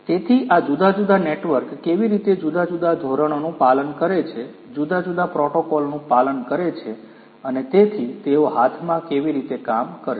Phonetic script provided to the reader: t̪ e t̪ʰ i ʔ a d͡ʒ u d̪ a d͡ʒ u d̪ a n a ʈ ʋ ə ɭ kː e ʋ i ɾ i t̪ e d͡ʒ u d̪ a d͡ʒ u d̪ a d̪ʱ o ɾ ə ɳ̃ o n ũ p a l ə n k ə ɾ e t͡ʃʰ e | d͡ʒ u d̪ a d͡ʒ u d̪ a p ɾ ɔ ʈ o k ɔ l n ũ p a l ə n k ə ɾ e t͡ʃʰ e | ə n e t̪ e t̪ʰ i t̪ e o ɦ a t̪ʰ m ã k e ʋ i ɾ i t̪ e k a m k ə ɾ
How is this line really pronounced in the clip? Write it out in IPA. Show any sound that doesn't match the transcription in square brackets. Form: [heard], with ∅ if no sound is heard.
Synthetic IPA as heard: t̪ e t̪ʰ i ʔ a d͡ʒ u d̪ a d͡ʒ u d̪ a n [e] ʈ ʋ ə [ɾ] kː e ʋ i ɾ i t̪ e d͡ʒ u d̪ a d͡ʒ u d̪ a d̪ʱ o ɾ ə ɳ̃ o n ũ p a l ə n k ə ɾ e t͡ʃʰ e | d͡ʒ u d̪ a d͡ʒ u d̪ a p ɾ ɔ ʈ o k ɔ l n ũ p a l ə n k ə ɾ e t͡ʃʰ e | ə n e t̪ e t̪ʰ i t̪ e o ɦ a t̪ʰ m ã k e ʋ i ɾ i t̪ e k a m k ə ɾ